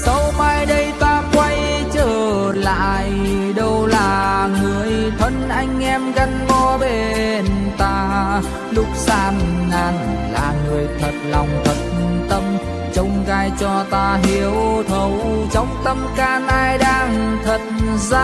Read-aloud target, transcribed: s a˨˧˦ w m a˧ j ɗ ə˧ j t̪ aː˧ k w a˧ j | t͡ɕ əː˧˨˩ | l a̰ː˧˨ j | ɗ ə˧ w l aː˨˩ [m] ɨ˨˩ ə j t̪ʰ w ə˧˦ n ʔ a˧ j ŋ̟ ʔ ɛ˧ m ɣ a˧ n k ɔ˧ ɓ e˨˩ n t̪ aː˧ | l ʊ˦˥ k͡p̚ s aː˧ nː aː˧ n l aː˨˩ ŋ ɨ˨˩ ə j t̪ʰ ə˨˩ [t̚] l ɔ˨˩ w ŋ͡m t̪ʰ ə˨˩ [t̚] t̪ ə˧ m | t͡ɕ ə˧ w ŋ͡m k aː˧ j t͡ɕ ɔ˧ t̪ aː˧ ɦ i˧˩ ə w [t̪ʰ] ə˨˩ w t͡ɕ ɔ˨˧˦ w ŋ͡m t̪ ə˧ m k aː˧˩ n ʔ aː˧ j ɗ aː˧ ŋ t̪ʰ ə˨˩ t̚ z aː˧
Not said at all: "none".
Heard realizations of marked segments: ŋ, t̚, t̚, t̪ʰ

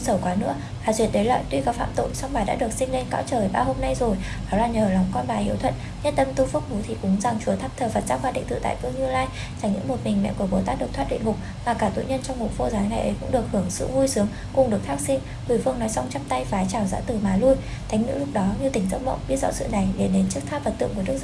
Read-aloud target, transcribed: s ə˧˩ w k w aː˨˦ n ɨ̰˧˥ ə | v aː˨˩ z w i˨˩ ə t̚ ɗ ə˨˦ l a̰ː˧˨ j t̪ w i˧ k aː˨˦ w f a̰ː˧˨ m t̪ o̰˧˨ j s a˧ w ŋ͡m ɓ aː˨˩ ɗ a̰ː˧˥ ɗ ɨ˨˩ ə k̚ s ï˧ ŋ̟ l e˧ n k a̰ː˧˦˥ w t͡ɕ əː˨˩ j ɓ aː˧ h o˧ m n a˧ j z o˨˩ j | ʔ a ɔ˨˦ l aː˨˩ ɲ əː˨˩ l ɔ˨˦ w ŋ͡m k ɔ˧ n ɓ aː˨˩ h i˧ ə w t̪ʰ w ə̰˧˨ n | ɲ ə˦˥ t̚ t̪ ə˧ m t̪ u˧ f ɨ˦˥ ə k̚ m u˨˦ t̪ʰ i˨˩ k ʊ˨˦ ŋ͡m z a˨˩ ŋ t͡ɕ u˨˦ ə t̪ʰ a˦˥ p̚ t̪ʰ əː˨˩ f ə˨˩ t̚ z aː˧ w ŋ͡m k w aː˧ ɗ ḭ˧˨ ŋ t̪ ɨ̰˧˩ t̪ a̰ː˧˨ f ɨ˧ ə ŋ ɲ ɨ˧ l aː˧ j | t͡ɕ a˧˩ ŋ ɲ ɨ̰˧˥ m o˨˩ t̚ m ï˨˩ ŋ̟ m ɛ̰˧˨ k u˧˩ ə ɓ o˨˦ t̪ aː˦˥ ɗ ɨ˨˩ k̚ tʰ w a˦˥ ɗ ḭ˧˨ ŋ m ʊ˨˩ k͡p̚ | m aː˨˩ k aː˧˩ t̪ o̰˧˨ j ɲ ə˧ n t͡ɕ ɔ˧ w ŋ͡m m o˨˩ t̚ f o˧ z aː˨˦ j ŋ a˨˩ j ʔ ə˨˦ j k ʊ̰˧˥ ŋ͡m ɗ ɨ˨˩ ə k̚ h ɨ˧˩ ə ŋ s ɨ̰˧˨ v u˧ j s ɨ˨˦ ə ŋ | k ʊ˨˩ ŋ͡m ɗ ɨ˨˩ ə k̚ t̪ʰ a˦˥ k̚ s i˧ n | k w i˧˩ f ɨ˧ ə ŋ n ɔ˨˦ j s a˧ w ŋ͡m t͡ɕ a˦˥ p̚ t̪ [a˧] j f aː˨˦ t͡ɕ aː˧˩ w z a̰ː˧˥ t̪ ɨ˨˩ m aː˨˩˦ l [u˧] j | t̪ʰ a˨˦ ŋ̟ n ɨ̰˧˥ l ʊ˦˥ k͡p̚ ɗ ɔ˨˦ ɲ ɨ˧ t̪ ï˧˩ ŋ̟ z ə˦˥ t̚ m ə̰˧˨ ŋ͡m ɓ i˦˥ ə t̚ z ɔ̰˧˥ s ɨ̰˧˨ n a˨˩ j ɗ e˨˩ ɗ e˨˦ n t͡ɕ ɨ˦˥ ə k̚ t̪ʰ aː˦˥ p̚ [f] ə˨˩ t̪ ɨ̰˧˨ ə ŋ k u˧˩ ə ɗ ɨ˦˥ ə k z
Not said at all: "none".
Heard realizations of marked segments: a˧, u˧, v

